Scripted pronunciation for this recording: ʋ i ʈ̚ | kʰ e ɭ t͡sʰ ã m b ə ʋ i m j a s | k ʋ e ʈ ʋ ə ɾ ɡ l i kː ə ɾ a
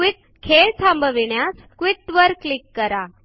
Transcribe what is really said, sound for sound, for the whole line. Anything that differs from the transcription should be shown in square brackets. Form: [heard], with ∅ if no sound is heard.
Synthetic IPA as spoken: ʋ i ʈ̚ | kʰ e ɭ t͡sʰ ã m b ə ʋ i [ɳ] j a s | k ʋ [i] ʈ ʋ ə ɾ [k] l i kː ə ɾ a